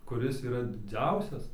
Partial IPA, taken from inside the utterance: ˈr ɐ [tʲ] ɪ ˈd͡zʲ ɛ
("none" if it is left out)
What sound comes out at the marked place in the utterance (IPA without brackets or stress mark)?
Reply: dʲ